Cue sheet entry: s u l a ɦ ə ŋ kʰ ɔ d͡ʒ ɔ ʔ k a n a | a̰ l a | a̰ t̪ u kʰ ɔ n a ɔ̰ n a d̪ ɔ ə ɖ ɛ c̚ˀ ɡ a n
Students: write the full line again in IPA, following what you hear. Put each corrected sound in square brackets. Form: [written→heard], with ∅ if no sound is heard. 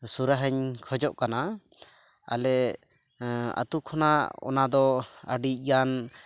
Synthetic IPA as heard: s u [l→ɾ] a ɦ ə [ŋ→ɲ] kʰ ɔ d͡ʒ ɔ ʔ k a n a | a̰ l [a→ɛ] | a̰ t̪ u kʰ ɔ n a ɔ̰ n a d̪ ɔ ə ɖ [ɛ→i] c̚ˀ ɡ a n